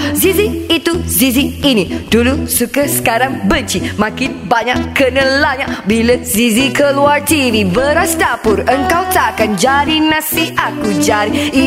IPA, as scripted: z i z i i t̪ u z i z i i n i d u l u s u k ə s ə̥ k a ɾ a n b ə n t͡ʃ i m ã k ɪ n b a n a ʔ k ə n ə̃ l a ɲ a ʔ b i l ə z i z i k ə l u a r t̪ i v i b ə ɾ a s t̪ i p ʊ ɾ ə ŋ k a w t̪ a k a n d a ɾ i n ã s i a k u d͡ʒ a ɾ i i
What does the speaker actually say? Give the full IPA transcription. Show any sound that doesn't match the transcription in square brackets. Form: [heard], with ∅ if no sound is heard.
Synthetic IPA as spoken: z i z i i t̪ u z i z i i n i d u l u s u k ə s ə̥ k a ɾ a [ŋ] b ə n t͡ʃ i m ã k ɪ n b a [ɲ] a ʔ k ə n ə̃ l a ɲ a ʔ b i l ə z i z i k ə l u a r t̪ i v i b ə ɾ a s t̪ [a] p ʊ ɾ ə ŋ k a w t̪ a k a n [d͡ʒ] a ɾ i n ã s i a k u d͡ʒ a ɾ i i